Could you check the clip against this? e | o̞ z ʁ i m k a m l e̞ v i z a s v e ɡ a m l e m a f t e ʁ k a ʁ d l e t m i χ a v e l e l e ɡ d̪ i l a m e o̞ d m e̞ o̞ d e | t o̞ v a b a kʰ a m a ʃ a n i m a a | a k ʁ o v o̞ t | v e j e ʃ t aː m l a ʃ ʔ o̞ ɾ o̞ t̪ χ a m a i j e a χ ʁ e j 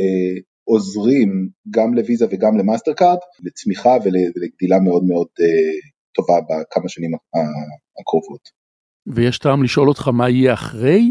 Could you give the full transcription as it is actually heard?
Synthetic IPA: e | o̞ z ʁ i m ɡ a m l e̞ v i z a v e ɡ a m l e m a s t e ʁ k a ʁ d l e t͡s m i χ a v e l e l e ɡ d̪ i l a m e o̞ d m e̞ o̞ d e | t o̞ v a b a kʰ a m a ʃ a n i m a a | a k ʁ o v o̞ t | v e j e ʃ t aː m l i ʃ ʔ o̞ l o̞ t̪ χ a m a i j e a χ ʁ e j